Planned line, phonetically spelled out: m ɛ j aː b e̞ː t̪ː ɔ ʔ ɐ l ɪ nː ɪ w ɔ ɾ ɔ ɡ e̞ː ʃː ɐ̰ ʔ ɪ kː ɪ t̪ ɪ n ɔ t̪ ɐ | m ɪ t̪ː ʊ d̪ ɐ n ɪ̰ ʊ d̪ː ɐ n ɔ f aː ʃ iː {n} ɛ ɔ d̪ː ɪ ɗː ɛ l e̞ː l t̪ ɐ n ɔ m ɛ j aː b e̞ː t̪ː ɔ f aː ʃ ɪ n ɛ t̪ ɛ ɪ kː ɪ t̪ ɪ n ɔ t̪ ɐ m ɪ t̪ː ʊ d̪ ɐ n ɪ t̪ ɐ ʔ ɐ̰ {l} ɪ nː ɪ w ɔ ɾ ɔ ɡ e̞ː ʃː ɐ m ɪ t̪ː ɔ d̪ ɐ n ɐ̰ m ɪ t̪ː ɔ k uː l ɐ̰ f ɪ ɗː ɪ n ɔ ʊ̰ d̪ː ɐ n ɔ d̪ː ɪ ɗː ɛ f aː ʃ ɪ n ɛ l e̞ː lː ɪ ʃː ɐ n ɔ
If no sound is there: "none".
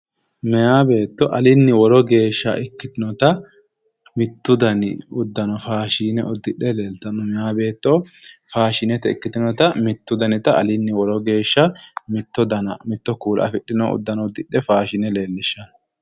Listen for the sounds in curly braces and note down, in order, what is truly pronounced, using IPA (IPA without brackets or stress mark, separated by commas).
n, l